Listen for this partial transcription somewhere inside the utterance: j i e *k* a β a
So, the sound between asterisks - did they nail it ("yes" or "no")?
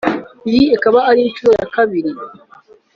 yes